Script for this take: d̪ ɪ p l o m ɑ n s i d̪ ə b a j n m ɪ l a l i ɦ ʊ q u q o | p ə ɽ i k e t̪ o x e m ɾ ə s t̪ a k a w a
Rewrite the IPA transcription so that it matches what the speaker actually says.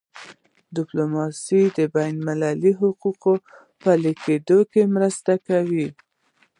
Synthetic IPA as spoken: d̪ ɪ p l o m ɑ s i d̪ ə b a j n m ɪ l a l i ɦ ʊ q u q o | p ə l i k e d̪ o k e m ɾ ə s t̪ a k a w i